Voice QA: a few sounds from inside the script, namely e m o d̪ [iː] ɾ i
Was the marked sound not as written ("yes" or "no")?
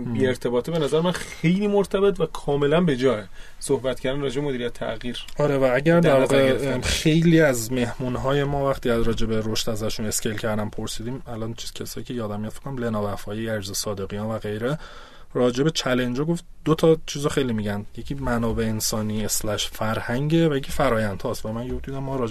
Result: yes